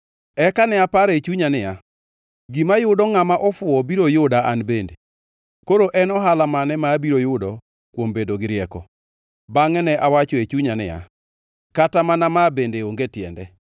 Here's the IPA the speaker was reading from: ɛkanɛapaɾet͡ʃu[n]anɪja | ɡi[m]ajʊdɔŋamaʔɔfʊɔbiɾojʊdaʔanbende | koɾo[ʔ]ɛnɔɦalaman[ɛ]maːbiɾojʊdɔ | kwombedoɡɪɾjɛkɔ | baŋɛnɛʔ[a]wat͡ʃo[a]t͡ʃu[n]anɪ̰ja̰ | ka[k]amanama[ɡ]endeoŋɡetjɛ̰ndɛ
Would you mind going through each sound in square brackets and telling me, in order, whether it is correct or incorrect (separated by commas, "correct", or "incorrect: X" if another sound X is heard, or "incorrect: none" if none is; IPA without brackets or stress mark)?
incorrect: ɲ, correct, correct, correct, correct, incorrect: e, incorrect: ɲ, incorrect: t, incorrect: b